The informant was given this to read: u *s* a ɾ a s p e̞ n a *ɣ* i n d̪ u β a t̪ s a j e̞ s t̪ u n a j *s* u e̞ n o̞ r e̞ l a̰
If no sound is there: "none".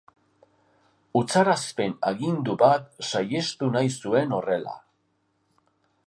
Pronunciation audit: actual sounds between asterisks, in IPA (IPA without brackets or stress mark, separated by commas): t͡s, ɣ, s